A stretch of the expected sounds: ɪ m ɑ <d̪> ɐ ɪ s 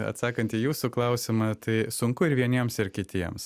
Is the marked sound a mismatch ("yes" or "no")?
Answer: yes